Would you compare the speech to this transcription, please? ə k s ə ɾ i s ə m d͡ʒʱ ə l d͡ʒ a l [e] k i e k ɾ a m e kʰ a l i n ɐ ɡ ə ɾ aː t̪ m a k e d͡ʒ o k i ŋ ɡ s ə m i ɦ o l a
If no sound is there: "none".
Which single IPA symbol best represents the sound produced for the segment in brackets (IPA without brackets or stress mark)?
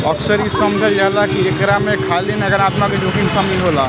a